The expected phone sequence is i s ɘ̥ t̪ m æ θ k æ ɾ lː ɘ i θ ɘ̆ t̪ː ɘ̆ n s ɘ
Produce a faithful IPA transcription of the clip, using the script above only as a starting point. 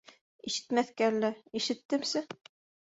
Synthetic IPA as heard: i ʃ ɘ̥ t̪ m æ θ k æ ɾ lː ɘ i ʃ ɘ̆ t̪ː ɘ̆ m s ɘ